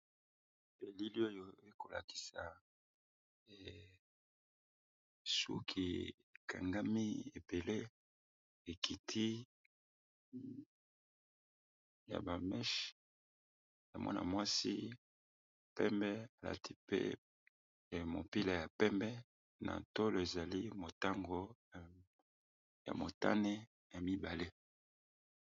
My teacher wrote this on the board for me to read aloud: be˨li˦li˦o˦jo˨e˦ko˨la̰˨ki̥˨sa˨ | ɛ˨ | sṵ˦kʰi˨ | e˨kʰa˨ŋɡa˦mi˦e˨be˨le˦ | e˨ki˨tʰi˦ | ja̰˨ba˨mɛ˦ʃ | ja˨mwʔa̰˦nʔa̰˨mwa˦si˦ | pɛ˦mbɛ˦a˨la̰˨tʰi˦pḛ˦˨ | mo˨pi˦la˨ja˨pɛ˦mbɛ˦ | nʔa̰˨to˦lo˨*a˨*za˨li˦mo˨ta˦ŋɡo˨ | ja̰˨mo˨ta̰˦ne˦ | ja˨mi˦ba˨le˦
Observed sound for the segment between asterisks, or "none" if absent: e˨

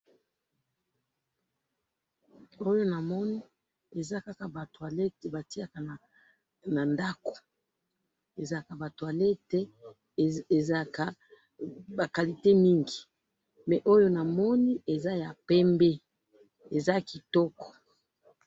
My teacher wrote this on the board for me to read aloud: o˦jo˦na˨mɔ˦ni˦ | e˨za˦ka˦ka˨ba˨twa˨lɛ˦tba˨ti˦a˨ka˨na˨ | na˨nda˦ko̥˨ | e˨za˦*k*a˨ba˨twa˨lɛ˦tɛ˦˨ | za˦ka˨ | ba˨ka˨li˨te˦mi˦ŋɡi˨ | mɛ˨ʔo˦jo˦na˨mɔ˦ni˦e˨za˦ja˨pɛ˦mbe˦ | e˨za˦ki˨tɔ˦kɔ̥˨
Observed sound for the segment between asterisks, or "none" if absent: k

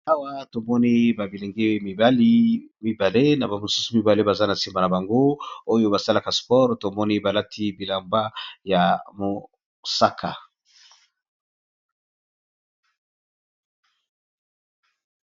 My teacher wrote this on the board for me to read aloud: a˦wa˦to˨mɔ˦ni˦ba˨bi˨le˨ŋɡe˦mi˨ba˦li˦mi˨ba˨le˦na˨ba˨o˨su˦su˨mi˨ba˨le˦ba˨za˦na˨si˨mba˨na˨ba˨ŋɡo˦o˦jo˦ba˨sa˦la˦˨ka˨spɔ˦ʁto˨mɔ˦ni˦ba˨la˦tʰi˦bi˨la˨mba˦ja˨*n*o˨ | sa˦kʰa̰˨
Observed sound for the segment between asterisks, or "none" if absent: m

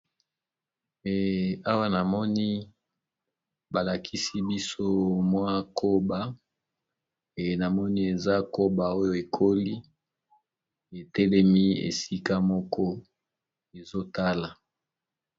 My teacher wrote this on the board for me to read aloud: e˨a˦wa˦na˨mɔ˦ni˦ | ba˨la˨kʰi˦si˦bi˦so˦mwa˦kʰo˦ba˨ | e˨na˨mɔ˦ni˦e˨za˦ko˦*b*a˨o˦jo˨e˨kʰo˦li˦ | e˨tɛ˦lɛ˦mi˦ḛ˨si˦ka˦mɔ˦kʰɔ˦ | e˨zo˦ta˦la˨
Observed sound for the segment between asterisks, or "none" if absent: b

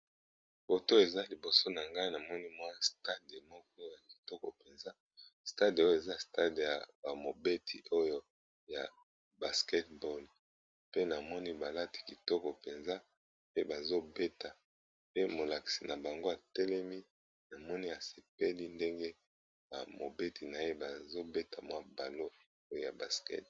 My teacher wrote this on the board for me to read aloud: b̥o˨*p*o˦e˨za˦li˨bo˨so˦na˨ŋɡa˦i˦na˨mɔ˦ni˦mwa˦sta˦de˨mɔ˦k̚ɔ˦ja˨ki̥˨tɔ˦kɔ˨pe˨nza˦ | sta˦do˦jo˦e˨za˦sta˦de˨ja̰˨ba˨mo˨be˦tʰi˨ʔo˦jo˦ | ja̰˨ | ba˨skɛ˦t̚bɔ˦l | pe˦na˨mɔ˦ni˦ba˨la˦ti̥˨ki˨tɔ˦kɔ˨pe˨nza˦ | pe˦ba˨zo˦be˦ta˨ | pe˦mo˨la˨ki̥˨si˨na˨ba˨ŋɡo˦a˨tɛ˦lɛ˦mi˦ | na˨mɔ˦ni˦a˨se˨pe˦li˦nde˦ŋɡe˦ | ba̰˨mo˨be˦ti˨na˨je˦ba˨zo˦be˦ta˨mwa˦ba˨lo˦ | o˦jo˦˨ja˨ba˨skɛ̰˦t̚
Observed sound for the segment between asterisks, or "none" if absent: t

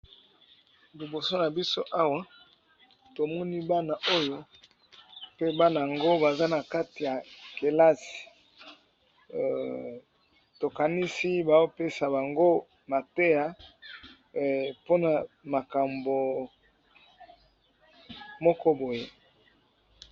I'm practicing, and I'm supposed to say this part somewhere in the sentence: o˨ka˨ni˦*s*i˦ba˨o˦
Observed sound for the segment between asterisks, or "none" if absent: s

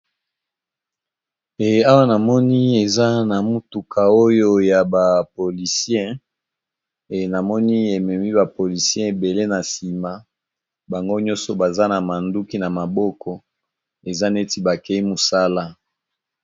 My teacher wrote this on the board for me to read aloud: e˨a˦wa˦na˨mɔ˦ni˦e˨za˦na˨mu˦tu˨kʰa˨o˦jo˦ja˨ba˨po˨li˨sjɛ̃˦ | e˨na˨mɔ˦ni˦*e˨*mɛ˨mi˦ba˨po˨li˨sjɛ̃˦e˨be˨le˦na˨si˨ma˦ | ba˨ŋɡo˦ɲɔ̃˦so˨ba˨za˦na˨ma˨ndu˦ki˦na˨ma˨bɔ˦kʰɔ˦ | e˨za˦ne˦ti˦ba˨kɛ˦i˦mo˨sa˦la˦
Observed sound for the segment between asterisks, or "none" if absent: e˨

